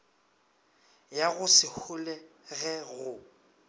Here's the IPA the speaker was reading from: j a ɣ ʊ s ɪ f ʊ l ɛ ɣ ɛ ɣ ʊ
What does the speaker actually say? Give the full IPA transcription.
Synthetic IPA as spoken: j a ɣ ʊ s ɪ h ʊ l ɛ ɣ ɛ ɣ ʊ